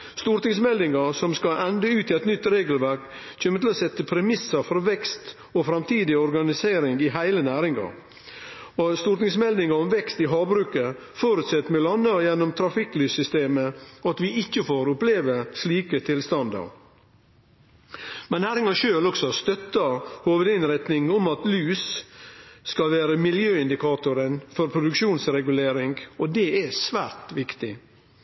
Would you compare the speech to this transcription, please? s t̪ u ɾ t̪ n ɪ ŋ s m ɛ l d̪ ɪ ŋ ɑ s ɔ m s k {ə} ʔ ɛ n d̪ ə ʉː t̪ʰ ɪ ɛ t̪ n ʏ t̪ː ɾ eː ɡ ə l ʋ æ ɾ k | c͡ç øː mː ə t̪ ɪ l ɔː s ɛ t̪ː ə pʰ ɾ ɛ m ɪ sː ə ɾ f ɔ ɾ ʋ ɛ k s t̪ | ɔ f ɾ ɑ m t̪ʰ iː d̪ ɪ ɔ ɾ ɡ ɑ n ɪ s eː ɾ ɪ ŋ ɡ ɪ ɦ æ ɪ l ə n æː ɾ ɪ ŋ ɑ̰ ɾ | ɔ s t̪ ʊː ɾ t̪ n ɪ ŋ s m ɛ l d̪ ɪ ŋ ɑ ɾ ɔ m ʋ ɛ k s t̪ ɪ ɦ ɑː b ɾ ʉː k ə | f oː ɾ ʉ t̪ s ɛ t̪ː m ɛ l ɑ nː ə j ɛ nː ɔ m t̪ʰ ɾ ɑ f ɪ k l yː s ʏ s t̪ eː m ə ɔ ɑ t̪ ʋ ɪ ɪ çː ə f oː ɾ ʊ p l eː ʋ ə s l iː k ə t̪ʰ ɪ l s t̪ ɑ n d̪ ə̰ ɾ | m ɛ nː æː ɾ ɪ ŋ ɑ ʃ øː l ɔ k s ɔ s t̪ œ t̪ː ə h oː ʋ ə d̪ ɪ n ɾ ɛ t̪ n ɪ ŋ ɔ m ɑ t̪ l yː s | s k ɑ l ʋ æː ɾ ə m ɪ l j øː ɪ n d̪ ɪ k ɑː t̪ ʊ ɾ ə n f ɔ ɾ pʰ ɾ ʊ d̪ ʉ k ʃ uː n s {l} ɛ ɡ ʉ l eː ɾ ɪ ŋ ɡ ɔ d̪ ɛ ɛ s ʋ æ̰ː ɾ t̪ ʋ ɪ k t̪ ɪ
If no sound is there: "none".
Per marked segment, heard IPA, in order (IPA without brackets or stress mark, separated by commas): ɑ, ɾ